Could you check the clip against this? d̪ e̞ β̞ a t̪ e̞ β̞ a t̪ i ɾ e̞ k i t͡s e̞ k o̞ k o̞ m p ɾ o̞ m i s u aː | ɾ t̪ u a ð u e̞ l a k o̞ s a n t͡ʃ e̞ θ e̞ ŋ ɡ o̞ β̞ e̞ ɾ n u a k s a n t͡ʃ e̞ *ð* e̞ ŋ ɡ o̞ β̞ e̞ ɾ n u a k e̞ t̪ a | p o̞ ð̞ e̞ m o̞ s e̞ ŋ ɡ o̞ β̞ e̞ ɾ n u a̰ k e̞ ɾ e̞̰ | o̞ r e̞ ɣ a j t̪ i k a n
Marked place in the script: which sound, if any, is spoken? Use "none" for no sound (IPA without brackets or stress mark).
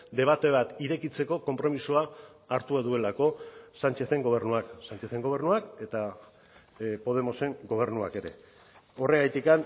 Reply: θ